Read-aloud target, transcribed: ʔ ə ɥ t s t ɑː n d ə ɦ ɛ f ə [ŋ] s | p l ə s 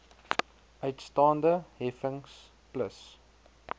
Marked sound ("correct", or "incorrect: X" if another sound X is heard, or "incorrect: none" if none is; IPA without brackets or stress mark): correct